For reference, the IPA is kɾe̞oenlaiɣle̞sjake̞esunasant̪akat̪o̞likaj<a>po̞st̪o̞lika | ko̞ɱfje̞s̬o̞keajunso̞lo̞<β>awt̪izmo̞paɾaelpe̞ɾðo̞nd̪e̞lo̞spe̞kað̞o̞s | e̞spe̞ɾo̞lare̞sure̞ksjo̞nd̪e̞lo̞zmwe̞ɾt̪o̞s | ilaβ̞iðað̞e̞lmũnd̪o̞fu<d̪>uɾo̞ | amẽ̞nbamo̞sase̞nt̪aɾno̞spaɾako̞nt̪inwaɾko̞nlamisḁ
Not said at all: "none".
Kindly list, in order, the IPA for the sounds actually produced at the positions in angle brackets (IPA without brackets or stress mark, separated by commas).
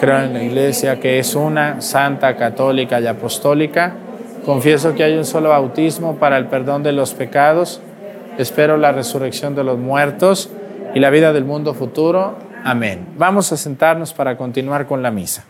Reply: a, β, t̪